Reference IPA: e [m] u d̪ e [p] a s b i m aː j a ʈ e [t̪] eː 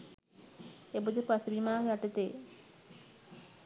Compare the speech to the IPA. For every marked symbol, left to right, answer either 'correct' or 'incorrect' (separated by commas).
incorrect, correct, correct